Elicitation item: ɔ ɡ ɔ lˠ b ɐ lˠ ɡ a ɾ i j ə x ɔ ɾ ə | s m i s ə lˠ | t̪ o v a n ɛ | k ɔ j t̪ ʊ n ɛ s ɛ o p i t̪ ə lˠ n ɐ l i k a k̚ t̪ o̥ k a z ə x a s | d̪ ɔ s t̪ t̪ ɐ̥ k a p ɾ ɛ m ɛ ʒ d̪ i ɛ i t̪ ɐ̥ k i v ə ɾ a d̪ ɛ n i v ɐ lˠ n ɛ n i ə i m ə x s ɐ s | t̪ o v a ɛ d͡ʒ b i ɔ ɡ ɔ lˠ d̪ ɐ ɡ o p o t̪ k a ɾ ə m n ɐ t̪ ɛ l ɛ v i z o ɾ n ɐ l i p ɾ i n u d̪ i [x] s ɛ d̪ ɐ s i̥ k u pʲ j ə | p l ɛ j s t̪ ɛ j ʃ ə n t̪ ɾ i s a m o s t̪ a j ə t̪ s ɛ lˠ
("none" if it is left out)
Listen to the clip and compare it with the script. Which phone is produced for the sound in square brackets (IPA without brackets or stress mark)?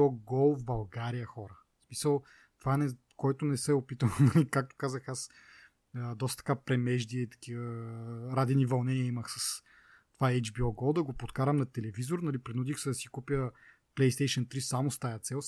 x